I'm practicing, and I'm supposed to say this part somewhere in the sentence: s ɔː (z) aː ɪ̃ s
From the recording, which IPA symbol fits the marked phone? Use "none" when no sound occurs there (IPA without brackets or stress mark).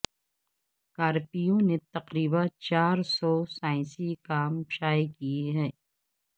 s